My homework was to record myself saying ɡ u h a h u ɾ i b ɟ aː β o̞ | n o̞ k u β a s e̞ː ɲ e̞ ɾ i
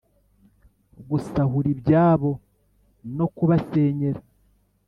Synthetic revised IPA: ɡ u s a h u ɾ i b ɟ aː β o̞ | n o̞ k u β a s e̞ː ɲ e̞ ɾ a

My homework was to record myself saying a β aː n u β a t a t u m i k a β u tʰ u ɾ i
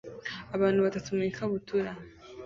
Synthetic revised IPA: a β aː n u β a t a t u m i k a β u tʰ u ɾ a

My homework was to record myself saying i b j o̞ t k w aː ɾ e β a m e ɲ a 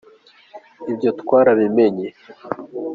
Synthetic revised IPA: i b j o̞ t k w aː ɾ a β i m e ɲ e

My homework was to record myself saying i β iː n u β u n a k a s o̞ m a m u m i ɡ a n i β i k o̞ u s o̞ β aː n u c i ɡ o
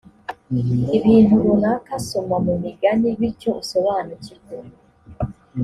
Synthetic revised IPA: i β iː n u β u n a k a s o̞ m a m u m i ɡ a n i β i c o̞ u s o̞ β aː n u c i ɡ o

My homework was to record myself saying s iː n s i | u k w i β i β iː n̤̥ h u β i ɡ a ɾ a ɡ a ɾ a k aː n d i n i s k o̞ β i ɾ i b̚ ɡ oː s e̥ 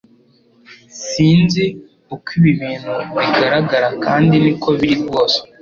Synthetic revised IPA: s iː n z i | u k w i β i β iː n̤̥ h u β i ɡ a ɾ a ɡ a ɾ a k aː n d i n i k o̞ β i ɾ i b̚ ɡ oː s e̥

